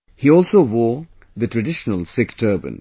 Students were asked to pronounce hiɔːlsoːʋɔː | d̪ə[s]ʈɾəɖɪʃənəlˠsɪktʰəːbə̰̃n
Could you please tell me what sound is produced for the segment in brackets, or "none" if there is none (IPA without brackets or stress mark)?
none